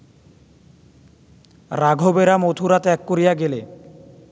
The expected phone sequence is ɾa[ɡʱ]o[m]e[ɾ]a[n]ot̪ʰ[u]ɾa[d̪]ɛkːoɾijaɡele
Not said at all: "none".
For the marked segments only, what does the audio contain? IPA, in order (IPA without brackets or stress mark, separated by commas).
ɡʱ, b, ɾ, m, u, t̪